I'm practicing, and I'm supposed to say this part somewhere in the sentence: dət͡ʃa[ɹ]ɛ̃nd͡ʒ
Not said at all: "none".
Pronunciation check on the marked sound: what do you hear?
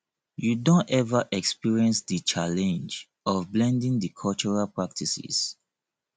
l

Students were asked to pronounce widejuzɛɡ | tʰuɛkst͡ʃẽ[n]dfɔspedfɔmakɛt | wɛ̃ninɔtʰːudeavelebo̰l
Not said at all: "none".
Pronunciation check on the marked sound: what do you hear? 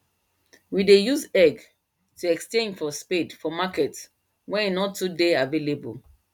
n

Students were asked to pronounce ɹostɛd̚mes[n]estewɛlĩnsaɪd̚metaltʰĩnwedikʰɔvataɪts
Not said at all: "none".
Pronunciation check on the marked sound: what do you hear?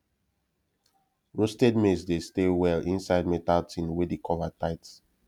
d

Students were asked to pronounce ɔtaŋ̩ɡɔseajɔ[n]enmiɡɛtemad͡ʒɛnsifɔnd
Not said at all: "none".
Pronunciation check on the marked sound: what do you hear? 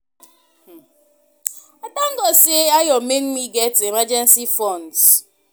m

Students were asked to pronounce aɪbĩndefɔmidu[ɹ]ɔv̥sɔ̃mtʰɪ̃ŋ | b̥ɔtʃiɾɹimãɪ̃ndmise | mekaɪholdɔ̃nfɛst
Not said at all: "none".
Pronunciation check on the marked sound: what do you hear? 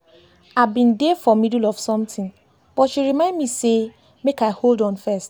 l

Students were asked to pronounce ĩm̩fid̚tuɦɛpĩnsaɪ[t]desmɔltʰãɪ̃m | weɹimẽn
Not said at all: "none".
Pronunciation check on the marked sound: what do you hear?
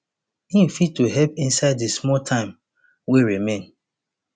d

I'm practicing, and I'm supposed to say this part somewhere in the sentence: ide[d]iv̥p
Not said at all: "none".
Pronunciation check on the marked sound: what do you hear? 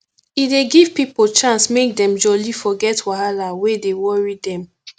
ɡ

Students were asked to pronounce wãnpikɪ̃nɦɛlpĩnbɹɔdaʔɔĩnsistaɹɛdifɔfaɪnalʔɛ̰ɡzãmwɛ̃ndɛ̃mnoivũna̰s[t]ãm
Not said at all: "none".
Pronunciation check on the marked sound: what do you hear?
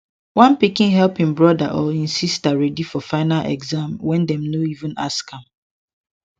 k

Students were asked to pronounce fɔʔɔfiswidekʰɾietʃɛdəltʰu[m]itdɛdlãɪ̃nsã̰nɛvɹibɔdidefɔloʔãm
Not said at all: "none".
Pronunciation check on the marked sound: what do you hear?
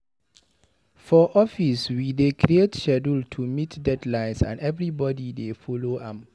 m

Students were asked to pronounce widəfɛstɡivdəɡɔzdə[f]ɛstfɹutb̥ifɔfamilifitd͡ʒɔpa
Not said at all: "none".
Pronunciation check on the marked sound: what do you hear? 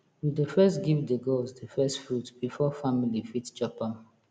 f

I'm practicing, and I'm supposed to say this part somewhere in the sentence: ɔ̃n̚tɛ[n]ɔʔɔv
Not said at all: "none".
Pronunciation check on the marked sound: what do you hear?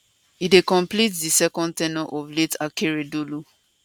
n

